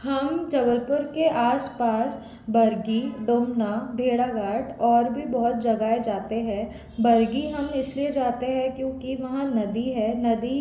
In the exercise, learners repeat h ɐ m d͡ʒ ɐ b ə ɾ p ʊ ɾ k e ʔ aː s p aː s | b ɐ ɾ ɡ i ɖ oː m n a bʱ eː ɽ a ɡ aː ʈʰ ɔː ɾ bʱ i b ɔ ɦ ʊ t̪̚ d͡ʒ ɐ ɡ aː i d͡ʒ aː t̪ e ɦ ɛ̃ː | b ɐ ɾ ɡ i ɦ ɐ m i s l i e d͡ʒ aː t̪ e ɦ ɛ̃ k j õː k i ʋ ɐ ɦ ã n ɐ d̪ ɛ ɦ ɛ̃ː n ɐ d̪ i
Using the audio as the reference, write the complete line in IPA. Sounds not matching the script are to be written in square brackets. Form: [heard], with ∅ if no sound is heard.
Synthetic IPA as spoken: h ɐ m d͡ʒ ɐ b ə ɾ p ʊ ɾ k e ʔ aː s p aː s | b ɐ ɾ ɡ i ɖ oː m n a bʱ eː ɽ a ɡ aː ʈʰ ɔː ɾ bʱ i b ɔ ɦ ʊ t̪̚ d͡ʒ ɐ ɡ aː [e] d͡ʒ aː t̪ e ɦ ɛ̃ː | b ɐ ɾ ɡ i ɦ ɐ m [ɪ] s l i e d͡ʒ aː t̪ e ɦ ɛ̃ k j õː k i ʋ ɐ ɦ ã n ɐ d̪ [i] ɦ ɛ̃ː n ɐ d̪ i